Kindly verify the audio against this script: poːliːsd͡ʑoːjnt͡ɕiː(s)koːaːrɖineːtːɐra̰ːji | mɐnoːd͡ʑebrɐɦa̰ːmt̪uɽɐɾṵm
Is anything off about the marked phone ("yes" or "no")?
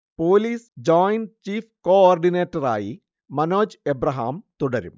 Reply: yes